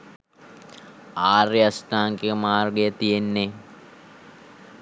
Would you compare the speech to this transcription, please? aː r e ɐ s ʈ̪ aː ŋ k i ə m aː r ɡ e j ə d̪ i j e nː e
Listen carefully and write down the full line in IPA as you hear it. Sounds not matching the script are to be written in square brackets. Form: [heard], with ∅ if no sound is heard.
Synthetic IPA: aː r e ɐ s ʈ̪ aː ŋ k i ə m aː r ɡ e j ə [t̪] i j e nː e